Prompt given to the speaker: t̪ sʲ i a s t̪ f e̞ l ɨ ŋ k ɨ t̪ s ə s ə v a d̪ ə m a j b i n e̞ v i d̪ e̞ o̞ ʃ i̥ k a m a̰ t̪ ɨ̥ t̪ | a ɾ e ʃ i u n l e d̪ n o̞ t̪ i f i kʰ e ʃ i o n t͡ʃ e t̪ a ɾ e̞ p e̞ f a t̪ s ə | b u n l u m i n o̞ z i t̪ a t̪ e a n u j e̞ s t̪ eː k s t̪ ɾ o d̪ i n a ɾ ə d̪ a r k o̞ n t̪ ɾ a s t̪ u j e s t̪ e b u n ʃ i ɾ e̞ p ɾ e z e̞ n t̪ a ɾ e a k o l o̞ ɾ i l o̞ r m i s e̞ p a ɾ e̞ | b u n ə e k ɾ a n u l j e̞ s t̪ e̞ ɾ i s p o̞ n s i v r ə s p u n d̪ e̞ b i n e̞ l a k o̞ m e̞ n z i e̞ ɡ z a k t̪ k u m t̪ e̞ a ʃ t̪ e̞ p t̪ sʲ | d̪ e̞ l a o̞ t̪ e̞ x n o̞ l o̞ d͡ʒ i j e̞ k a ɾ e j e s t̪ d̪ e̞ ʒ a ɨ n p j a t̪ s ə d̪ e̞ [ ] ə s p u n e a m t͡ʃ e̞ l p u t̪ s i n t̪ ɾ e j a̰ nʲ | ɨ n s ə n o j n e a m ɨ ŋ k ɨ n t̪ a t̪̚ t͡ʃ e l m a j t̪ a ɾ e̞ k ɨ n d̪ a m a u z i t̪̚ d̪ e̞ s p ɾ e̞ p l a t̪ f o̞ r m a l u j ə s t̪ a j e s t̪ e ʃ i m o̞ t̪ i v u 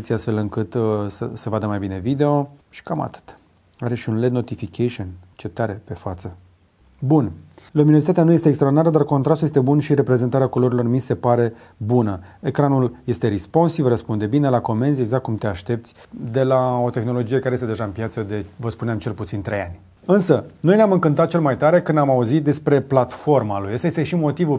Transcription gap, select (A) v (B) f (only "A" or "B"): A